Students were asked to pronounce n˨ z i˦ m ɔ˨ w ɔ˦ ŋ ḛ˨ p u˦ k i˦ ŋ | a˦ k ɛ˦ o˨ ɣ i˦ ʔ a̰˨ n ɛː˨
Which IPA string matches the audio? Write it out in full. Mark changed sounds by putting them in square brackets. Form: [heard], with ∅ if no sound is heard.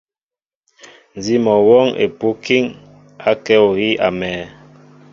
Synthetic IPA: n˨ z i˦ m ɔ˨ w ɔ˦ ŋ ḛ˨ p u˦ k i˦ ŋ | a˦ k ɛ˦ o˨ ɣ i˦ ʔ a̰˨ [m] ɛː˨